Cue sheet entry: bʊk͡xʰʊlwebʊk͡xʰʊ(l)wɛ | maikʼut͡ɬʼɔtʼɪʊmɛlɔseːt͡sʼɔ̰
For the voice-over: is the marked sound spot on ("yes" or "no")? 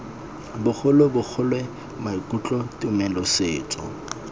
yes